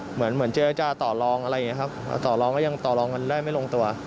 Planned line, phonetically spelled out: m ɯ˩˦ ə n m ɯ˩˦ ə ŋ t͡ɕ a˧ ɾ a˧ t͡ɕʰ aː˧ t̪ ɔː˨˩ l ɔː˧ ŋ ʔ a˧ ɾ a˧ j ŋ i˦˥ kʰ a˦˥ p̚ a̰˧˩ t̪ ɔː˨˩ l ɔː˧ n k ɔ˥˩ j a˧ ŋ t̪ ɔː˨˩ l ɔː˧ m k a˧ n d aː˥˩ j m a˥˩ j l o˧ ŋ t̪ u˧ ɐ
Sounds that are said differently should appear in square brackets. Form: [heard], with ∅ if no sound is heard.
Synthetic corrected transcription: m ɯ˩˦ ə n m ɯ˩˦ ə [n] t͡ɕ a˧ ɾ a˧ [t͡ɕ] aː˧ t̪ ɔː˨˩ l ɔː˧ ŋ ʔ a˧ ɾ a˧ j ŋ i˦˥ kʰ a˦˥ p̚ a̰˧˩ t̪ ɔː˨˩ l ɔː˧ [ŋ] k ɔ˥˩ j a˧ ŋ t̪ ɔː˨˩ l ɔː˧ [ŋ] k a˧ n d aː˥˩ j m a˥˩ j l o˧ ŋ t̪ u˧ ɐ